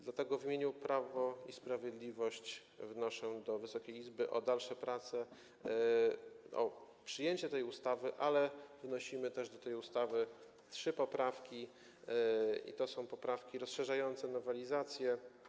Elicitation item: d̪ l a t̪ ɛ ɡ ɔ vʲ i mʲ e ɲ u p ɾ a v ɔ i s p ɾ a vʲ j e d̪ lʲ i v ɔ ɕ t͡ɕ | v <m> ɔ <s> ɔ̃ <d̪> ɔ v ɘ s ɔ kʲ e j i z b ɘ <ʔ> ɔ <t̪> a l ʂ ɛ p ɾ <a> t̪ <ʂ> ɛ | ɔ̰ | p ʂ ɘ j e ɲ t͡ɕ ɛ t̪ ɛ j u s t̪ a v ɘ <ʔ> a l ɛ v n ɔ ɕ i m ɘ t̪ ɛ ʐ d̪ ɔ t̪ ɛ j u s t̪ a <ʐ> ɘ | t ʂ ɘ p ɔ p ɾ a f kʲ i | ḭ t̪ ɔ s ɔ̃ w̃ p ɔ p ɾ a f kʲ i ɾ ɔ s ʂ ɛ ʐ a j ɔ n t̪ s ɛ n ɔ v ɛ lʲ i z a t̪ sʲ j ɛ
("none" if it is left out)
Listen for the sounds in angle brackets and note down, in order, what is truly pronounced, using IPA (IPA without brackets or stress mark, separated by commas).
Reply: n, ʂ, d̪, ʔ, d̪, a, s, ʔ, v